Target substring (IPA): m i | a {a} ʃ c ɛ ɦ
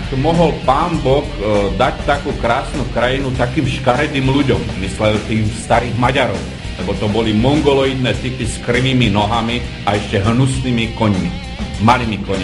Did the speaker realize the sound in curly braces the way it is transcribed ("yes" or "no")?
no